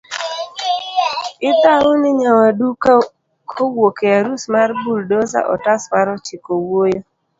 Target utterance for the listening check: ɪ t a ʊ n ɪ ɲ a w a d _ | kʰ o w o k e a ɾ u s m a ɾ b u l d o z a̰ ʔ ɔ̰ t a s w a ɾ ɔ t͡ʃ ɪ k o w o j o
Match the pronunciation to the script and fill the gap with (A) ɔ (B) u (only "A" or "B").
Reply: B